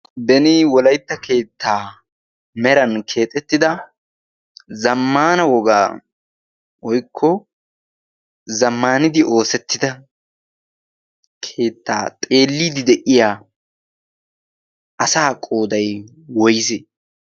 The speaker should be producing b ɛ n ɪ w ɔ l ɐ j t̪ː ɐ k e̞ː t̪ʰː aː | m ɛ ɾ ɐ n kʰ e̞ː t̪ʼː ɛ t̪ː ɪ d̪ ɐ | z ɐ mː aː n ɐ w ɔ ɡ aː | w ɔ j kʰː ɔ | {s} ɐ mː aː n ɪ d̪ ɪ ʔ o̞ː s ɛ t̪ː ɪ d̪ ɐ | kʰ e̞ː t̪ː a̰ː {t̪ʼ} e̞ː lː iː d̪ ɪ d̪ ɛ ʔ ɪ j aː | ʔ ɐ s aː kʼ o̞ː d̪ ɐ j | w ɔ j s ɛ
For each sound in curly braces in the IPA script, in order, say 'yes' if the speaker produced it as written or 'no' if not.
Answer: no, yes

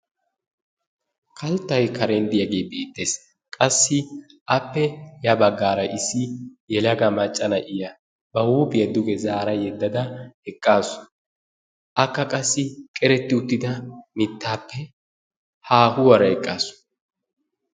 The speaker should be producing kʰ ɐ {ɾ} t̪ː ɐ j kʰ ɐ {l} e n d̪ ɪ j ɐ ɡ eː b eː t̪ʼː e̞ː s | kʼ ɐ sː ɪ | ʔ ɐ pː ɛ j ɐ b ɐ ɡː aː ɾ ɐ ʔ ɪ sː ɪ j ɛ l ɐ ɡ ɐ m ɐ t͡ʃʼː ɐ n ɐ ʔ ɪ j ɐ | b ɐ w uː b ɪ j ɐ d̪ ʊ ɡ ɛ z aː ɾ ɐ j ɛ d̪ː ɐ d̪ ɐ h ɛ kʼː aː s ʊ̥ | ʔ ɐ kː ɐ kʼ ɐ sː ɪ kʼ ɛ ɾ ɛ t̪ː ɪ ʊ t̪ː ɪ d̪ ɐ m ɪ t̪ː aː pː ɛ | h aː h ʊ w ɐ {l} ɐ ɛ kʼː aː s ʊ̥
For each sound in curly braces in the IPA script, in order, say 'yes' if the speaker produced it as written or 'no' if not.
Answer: no, no, no

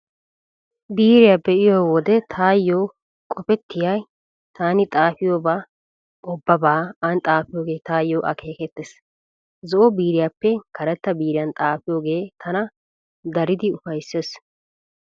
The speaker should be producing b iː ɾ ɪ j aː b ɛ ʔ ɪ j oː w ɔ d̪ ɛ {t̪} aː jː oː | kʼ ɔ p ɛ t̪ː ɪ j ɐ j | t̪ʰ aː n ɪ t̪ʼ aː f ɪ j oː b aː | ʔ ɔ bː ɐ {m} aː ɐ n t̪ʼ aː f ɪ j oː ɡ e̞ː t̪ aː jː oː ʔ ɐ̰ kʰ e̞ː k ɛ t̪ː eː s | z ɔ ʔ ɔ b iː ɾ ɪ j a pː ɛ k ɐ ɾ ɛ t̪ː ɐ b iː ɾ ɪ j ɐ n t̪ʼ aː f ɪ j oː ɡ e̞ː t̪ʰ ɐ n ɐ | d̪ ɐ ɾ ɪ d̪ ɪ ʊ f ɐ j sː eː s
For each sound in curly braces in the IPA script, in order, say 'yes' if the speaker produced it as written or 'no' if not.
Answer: no, no

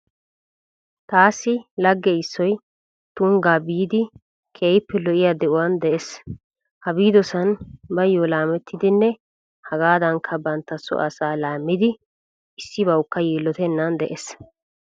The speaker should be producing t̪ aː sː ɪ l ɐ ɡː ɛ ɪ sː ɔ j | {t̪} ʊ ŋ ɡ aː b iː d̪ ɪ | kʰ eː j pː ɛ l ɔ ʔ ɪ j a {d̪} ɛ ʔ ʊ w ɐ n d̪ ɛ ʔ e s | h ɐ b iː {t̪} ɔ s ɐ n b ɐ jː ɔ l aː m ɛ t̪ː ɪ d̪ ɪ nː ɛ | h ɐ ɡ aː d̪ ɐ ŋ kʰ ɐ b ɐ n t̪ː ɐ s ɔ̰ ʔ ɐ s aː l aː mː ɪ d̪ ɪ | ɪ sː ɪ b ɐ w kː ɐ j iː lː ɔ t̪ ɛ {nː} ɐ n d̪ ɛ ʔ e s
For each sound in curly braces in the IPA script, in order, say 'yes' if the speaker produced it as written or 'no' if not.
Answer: yes, yes, no, yes

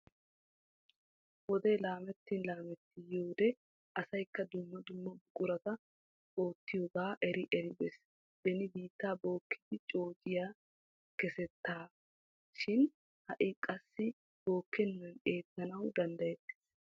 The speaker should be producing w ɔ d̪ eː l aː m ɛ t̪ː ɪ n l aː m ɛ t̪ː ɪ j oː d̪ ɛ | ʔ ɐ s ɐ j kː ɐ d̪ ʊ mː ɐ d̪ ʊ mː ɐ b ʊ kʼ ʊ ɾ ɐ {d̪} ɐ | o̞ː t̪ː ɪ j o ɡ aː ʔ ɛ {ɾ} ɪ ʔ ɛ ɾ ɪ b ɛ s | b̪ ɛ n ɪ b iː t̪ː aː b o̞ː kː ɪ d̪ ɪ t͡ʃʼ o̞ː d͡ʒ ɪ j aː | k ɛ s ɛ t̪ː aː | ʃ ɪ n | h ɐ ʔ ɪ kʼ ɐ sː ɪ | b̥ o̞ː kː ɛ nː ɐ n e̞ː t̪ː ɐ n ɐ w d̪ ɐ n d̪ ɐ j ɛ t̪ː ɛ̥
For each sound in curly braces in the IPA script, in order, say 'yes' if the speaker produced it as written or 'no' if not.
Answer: no, yes

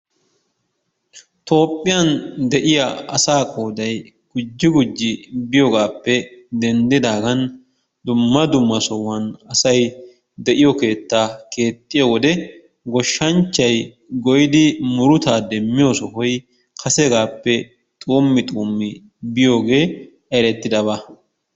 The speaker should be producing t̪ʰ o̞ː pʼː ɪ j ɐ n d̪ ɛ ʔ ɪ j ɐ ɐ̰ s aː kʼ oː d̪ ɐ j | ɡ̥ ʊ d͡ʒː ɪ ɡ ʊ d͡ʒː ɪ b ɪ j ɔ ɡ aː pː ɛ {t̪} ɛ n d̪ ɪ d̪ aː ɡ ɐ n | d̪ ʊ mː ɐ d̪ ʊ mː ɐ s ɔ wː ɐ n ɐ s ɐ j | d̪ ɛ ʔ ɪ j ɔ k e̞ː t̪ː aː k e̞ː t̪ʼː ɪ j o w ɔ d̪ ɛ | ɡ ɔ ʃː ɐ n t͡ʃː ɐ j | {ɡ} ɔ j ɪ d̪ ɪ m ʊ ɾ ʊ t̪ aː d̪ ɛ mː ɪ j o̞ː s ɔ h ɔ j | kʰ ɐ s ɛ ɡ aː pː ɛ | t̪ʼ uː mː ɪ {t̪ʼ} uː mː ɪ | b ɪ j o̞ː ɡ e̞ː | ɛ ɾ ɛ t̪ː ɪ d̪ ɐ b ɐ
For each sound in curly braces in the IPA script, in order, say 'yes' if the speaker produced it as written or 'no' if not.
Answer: no, yes, yes

